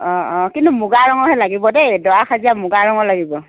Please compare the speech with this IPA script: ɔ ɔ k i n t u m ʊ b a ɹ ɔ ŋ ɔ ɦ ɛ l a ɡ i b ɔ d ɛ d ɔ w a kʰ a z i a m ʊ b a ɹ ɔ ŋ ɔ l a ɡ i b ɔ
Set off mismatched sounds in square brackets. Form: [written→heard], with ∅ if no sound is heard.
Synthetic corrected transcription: ɔ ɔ k i n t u m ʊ [b→ɡ] a ɹ ɔ ŋ ɔ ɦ ɛ l a ɡ i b ɔ d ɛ d ɔ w a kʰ a z i a m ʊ [b→ɡ] a ɹ ɔ ŋ ɔ l a ɡ i b ɔ